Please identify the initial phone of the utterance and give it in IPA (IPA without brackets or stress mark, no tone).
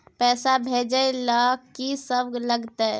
p